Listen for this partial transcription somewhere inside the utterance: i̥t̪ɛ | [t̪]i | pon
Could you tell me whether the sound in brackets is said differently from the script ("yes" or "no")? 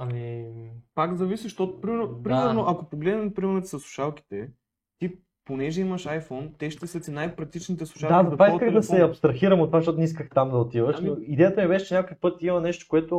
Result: no